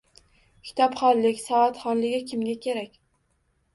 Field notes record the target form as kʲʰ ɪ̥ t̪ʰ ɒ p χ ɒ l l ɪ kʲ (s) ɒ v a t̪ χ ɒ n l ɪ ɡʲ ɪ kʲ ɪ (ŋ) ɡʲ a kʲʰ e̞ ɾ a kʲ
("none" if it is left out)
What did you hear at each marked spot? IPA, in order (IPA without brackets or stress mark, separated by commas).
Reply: s, m